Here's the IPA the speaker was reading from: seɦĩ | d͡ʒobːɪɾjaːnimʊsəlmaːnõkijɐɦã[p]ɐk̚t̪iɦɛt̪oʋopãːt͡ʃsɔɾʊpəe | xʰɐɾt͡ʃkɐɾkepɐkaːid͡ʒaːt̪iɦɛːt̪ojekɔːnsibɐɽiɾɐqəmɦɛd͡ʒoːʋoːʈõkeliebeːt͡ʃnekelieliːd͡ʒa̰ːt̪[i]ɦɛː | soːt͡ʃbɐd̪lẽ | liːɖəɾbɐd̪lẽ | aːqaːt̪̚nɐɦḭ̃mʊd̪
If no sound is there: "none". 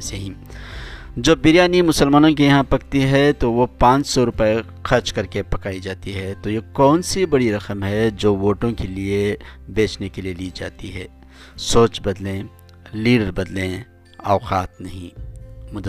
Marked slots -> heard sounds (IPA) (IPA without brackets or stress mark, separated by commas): p, i